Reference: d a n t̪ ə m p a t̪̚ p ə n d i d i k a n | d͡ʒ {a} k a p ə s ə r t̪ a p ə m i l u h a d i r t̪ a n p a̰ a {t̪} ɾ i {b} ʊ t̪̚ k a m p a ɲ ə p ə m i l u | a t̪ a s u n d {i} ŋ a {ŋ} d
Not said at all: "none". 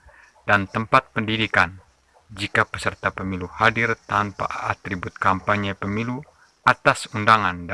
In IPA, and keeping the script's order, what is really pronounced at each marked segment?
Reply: i, t̪, b, a, n

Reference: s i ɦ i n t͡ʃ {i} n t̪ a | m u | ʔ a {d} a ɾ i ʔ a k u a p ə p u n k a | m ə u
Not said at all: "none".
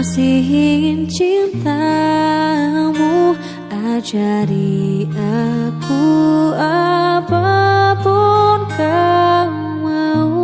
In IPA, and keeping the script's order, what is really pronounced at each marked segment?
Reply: i, d͡ʒ

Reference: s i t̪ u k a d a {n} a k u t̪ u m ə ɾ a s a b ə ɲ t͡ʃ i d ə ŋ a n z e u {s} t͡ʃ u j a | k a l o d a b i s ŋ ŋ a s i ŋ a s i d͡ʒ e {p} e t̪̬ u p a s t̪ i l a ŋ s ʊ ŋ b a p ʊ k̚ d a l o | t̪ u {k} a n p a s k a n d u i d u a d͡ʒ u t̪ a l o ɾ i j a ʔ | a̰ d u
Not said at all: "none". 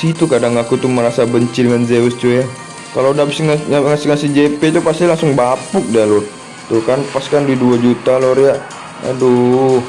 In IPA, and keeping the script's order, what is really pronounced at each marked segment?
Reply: ŋ, s, p, k

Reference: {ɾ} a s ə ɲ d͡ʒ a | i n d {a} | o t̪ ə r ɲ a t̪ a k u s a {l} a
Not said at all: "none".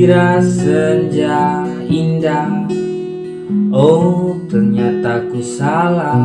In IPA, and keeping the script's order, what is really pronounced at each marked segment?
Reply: ɾ, a, l

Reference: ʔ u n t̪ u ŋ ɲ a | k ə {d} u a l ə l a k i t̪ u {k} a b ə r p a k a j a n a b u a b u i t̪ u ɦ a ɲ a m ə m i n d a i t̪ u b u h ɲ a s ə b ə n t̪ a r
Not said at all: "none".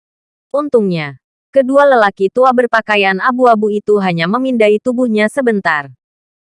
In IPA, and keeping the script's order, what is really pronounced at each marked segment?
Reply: d, none

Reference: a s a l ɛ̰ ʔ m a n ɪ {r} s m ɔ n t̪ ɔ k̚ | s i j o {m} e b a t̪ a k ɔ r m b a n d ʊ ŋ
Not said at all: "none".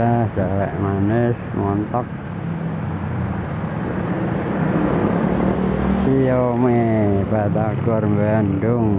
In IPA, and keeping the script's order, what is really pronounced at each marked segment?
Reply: none, m

